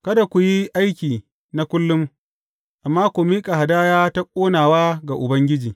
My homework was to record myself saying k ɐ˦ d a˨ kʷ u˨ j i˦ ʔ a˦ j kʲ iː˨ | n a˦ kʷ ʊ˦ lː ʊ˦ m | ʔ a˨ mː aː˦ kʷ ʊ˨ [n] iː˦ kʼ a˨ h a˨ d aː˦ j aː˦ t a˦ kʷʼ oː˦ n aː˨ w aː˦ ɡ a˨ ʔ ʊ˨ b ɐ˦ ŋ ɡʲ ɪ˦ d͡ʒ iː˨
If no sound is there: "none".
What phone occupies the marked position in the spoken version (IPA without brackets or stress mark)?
m